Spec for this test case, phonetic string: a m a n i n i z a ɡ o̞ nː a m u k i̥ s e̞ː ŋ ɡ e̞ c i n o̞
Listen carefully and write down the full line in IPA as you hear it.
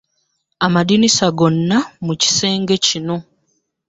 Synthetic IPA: a m a d i n i s a ɡ o̞ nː a m u c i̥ s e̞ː ŋ ɡ e̞ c i n o̞